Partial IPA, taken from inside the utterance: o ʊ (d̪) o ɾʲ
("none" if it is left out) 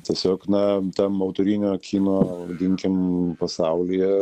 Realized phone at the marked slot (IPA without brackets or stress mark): t̪